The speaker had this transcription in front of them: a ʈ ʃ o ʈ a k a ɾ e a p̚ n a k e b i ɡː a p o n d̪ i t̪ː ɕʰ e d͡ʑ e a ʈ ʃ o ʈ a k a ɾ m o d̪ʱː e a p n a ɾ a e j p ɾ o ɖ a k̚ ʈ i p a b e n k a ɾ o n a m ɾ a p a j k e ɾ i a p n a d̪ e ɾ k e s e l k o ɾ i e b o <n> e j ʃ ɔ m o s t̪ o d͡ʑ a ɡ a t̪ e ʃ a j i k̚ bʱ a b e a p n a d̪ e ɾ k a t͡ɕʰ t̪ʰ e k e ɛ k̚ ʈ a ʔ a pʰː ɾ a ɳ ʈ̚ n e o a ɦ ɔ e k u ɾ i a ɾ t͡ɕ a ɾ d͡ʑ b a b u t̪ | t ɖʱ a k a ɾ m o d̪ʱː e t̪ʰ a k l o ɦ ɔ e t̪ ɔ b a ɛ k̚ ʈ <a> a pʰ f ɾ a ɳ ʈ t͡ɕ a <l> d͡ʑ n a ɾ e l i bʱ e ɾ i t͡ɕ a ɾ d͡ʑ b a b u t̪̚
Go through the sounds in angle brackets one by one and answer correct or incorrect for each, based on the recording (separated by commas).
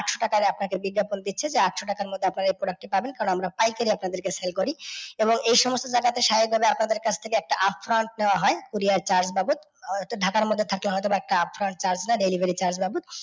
incorrect, correct, incorrect